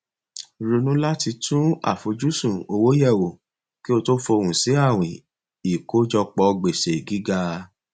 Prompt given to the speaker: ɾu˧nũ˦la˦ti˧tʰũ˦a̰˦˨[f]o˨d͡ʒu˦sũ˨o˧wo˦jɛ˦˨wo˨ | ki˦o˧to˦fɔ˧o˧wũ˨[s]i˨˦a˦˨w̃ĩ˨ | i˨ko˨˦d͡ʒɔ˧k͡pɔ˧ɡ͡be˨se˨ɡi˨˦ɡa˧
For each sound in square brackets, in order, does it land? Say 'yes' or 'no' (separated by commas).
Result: yes, yes